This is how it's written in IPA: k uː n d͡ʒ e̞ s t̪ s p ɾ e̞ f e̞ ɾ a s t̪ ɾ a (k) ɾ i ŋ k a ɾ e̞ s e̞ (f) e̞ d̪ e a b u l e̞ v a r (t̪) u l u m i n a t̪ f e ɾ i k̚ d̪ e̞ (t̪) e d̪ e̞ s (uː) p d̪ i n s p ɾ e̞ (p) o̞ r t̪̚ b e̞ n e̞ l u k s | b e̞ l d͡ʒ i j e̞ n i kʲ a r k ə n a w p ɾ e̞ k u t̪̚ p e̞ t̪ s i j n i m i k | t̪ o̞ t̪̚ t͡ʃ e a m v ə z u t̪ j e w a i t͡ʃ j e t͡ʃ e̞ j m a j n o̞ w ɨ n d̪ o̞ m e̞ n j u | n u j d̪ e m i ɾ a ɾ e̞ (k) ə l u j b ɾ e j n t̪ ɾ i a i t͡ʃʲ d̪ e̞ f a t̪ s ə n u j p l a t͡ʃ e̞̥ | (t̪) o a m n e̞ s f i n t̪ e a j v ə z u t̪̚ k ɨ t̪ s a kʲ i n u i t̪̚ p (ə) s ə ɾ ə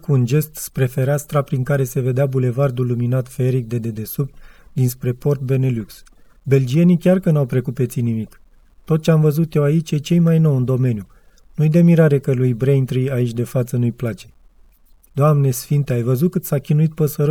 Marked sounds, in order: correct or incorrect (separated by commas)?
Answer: incorrect, incorrect, incorrect, incorrect, incorrect, correct, correct, incorrect, correct